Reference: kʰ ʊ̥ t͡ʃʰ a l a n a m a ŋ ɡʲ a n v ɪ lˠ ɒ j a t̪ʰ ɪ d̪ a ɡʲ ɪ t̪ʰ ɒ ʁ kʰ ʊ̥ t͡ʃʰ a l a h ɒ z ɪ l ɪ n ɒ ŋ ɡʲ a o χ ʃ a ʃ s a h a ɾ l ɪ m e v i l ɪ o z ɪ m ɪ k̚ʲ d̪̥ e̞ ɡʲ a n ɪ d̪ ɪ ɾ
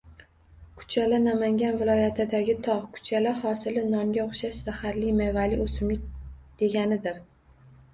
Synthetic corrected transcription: kʰ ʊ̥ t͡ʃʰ a l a n a m a ŋ ɡʲ a n v ɪ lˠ ɒ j a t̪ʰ ɪ d̪ a ɡʲ ɪ t̪ʰ ɒ ʁ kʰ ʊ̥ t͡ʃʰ a l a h ɒ s ɪ l ɪ n ɒ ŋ ɡʲ a o χ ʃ a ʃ s a h a ɾ l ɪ m e v a l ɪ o s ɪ m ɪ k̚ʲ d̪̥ e̞ ɡʲ a n ɪ d̪ ɪ ɾ